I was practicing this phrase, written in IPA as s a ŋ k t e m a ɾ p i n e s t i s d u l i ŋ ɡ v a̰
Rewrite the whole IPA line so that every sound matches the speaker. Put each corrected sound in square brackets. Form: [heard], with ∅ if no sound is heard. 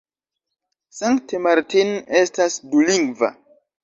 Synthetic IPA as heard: s a ŋ k t e m a ɾ [t] i n e s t [a] s d u l i ŋ ɡ v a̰